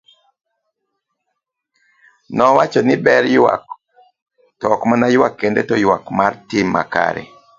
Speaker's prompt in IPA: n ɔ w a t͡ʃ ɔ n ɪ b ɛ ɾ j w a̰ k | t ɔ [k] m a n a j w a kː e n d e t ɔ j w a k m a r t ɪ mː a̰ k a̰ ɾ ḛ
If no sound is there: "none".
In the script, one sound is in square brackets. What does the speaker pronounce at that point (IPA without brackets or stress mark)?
k